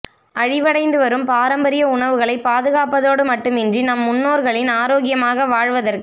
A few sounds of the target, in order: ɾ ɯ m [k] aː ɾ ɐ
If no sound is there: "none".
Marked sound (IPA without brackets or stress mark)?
p